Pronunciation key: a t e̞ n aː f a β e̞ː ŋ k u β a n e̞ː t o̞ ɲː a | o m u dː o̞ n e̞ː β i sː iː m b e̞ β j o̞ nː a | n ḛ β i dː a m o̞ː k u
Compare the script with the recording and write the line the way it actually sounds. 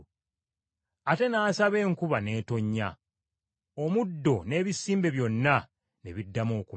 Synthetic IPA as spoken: a t e̞ n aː s a β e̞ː ŋ k u β a n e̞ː t o̞ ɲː a | o m u dː o̞ n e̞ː β i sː iː m b e̞ β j o̞ nː a | n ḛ β i dː a m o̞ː k u

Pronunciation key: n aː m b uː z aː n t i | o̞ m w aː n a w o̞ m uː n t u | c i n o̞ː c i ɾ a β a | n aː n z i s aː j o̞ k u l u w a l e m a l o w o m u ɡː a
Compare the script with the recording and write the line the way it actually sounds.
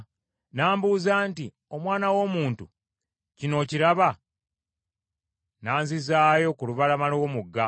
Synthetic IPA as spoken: n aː m b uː z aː n t i | o̞ m w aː n a w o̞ m uː n t u | c i n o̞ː c i ɾ a β a | n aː n z i z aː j o̞ k u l u β a l a m a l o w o m u ɡː a

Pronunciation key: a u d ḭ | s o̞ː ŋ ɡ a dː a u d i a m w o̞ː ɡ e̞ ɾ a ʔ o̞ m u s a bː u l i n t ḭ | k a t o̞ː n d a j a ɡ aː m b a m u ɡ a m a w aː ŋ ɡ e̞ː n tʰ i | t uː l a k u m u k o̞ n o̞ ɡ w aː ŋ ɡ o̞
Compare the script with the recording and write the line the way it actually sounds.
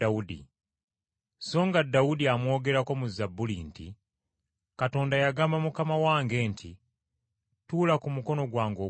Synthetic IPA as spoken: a u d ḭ | s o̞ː ŋ ɡ a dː a u d i a m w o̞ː ɡ e̞ ɾ a k o̞ m u z a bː u l i n t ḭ | k a t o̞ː n d a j a ɡ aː m b a m u k a m a w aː ŋ ɡ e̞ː n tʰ i | t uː l a k u m u k o̞ n o̞ ɡ w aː ŋ ɡ o̞

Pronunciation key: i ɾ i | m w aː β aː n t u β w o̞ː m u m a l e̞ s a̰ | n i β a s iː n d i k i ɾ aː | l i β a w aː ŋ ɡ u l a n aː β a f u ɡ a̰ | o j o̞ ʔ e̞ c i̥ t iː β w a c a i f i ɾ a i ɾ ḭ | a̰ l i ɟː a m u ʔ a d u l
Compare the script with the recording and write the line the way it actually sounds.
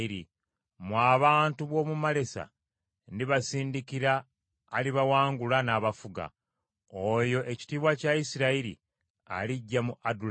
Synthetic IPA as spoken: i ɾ i | m w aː β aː n t u β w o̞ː m u m a l e̞ s a̰ | n i β a s iː n d i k i ɾ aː | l i β a w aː ŋ ɡ u l a n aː β a f u ɡ a̰ | o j o̞ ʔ e̞ c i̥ t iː β w a c a i s i ɾ a i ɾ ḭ | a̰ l i ɟː a m u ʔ a d u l

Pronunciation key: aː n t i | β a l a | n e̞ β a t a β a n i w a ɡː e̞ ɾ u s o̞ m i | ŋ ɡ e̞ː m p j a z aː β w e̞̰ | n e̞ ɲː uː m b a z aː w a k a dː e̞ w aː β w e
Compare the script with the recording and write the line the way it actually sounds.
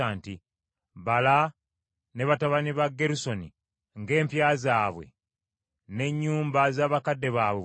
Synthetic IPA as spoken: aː n t i | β a l a | n e̞ β a t a β a n i β a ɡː e̞ ɾ u s o̞ n i | ŋ ɡ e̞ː m p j a z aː β w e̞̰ | n e̞ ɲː uː m b a z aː β a k a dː e̞ β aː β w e

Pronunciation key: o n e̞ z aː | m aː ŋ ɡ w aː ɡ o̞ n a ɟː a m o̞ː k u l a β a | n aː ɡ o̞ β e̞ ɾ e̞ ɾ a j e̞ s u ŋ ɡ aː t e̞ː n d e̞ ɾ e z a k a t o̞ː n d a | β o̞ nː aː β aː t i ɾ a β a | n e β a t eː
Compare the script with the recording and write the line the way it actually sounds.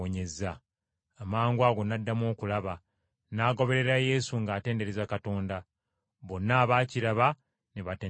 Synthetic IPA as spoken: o ɲ e̞ z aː | m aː ŋ ɡ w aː ɡ o̞ n a dː a m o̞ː k u l a β a | n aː ɡ o̞ β e̞ ɾ e̞ ɾ a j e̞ s u ŋ ɡ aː t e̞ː n d e̞ ɾ e z a k a t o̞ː n d a | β o̞ nː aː β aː c i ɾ a β a | n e β a t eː

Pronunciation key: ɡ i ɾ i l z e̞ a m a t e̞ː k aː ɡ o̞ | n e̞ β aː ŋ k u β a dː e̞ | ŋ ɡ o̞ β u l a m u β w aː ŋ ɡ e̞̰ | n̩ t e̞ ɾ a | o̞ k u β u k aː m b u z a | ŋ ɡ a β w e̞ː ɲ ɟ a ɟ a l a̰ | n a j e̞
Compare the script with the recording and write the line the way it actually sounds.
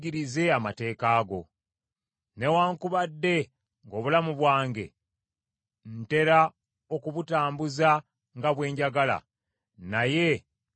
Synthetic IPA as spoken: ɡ i ɾ i z e̞ a m a t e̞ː k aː ɡ o̞ | n e̞ w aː ŋ k u β a dː e̞ | ŋ ɡ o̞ β u l a m u β w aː ŋ ɡ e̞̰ | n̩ t e̞ ɾ a | o̞ k u β u t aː m b u z a | ŋ ɡ a β w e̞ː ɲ ɟ a ɡ a l a̰ | n a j e̞

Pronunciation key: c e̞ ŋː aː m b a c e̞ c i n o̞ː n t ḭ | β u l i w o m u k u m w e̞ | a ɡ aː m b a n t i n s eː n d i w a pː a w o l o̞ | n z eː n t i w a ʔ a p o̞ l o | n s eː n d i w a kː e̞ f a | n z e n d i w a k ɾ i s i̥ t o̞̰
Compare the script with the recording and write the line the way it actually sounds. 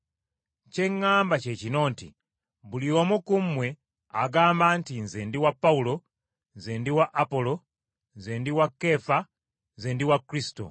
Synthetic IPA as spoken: c e̞ ŋː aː m b a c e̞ c i n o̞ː n t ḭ | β u l i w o m u k u m w e̞ | a ɡ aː m b a n t i n z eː n d i w a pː a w u l o̞ | n z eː n d i w a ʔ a p o̞ l o | n z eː n d i w a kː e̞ f a | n z e n d i w a k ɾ i s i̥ t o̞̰

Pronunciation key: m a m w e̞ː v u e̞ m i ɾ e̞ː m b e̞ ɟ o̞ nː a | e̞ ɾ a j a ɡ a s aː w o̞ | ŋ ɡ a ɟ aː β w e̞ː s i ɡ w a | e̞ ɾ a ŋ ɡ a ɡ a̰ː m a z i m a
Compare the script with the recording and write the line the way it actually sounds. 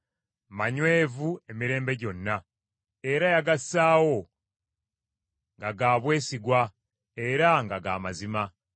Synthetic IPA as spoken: m a ɲ w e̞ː v u e̞ m i ɾ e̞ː m b e̞ ɟ o̞ nː a | e̞ ɾ a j a ɡ a s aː w o̞ | ŋ ɡ a ɡ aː β w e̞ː s i ɡ w a | e̞ ɾ a ŋ ɡ a ɡ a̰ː m a z i m a

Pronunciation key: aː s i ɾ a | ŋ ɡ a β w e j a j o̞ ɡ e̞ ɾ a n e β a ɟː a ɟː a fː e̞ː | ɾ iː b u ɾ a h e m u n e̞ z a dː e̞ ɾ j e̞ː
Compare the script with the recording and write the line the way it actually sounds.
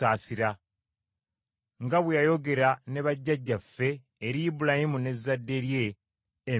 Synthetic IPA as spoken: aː s i ɾ a | ŋ ɡ a β w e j a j o̞ ɡ e̞ ɾ a n e β a ɟː a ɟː a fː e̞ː | ɾ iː b u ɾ a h i m u n e̞ z a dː e̞ ɾ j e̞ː

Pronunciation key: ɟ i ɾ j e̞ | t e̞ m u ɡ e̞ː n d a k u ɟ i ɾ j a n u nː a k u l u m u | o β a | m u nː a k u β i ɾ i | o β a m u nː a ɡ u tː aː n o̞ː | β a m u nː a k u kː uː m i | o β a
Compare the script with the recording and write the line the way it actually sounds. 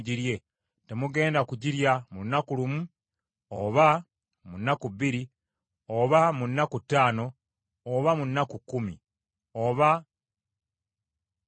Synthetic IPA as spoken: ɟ i ɾ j e̞ | t e̞ m u ɡ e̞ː n d a k u ɟ i ɾ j a m u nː a k u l u m u | o β a | m u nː a k u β i ɾ i | o β a m u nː a k u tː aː n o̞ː | β a m u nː a k u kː u m i | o β a

